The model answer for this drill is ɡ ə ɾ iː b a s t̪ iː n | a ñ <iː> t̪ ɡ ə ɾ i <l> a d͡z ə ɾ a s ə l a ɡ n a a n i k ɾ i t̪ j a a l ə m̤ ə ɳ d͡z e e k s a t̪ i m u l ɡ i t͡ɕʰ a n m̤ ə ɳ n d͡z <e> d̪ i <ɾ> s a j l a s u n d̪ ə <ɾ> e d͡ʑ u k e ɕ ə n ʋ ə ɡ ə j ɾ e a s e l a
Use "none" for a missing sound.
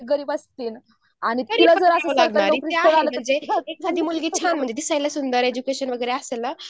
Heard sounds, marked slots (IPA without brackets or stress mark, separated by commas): i, l, e, none, ɾ